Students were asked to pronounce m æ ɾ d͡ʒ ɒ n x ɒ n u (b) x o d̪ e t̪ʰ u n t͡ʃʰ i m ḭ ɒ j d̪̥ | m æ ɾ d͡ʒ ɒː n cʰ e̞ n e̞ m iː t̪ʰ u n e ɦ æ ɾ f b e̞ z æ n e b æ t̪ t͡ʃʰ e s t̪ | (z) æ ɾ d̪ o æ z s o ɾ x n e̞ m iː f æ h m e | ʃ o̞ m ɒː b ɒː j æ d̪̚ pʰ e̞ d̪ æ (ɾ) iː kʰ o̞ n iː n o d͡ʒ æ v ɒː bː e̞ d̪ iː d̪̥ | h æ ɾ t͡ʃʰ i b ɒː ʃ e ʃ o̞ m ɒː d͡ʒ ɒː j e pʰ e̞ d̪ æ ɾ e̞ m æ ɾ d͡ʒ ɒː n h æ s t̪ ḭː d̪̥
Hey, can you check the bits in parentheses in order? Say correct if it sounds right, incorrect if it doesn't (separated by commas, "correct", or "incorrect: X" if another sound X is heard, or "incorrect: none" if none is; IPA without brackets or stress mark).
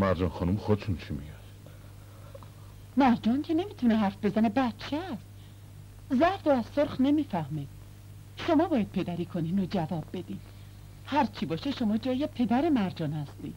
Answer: incorrect: m, correct, correct